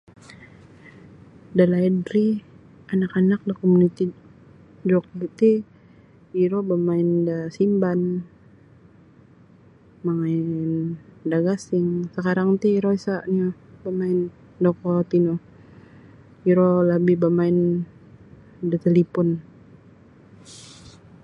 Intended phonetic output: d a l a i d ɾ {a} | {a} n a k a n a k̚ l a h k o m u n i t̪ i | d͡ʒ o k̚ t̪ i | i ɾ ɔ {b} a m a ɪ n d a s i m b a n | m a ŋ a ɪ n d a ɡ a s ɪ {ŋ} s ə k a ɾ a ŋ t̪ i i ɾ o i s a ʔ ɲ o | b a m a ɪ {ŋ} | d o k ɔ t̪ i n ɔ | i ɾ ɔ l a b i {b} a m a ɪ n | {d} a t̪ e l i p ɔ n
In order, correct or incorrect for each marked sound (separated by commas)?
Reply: incorrect, correct, correct, correct, incorrect, correct, correct